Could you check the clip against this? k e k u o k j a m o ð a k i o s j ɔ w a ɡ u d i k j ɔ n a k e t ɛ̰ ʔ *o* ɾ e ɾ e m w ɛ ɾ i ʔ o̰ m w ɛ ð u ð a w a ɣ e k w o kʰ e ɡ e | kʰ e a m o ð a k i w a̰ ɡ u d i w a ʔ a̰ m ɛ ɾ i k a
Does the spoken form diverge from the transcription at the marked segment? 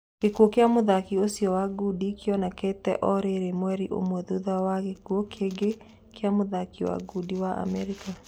yes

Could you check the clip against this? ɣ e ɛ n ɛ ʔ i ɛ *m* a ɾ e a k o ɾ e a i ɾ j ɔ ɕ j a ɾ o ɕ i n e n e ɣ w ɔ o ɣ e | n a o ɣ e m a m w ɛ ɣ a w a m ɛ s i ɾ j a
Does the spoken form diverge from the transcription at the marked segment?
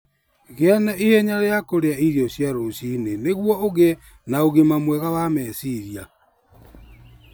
yes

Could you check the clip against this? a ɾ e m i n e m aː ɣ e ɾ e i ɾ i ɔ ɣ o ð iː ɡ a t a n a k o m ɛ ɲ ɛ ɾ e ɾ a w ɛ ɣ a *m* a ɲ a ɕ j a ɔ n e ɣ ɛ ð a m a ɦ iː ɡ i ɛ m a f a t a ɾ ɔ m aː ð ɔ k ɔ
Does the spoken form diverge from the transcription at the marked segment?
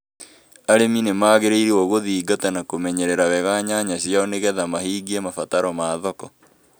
yes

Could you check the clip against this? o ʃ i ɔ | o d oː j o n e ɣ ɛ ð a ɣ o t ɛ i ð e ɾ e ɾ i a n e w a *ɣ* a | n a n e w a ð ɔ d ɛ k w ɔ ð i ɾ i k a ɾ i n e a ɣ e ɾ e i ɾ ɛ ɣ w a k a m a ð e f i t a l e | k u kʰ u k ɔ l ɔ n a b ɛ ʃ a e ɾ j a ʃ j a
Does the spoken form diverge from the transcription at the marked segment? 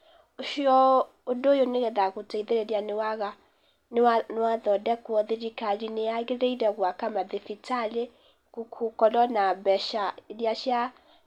no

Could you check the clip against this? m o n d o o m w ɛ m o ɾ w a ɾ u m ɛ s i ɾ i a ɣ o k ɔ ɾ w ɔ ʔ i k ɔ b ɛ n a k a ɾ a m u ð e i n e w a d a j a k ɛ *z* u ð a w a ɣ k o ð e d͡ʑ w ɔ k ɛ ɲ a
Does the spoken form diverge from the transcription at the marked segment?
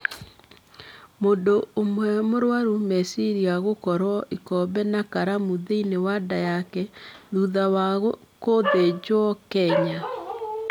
yes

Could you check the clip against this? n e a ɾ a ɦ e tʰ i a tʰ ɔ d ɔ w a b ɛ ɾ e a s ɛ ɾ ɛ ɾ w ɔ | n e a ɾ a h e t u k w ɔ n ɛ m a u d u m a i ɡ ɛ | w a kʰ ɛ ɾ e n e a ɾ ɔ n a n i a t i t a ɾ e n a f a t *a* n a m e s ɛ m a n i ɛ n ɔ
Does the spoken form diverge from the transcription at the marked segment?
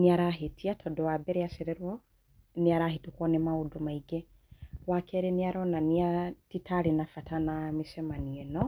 no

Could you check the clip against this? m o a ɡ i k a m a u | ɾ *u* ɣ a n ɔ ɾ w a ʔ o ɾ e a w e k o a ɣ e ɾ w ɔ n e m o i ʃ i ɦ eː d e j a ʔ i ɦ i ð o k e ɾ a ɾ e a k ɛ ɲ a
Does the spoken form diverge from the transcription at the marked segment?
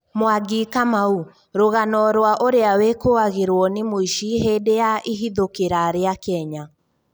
yes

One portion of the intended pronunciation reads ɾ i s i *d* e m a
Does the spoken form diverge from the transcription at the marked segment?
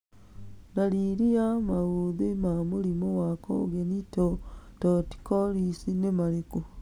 yes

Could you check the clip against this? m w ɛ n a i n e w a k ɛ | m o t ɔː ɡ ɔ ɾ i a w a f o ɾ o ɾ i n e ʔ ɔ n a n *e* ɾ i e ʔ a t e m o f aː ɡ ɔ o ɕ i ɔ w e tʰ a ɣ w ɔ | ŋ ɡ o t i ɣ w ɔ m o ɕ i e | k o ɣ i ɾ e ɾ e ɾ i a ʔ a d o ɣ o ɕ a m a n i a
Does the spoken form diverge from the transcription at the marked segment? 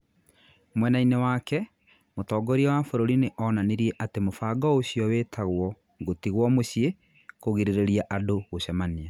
no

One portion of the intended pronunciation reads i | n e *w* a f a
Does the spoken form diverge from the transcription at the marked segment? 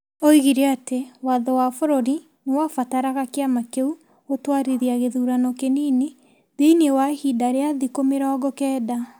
no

